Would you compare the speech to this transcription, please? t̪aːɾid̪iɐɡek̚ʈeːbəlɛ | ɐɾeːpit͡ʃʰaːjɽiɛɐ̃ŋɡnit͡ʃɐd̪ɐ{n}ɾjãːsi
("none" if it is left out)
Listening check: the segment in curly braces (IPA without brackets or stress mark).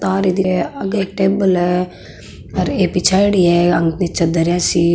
none